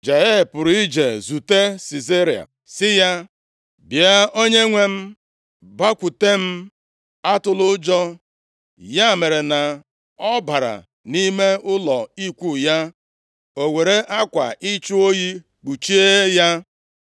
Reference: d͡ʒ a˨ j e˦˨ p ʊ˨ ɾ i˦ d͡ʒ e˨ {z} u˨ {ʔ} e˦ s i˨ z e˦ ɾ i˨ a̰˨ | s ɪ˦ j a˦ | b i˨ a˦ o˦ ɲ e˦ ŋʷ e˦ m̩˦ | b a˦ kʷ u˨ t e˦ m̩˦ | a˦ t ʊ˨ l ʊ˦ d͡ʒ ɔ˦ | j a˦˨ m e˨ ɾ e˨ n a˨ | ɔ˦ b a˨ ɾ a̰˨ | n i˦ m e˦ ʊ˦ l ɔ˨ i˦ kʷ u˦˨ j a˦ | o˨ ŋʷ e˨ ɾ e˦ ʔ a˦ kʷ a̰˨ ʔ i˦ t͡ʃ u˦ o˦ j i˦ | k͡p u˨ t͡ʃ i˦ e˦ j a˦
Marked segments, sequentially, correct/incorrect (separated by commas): correct, incorrect